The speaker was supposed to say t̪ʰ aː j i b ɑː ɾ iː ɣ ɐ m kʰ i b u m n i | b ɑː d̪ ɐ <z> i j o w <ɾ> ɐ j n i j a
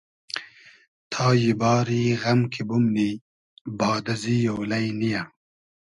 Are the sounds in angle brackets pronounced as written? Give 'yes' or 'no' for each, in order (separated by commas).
yes, no